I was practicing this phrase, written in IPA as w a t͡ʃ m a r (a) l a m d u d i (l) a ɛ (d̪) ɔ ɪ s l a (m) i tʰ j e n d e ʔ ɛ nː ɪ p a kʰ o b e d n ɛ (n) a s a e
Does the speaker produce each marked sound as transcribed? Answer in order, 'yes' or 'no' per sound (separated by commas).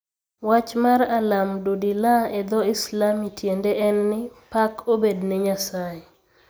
yes, yes, yes, yes, no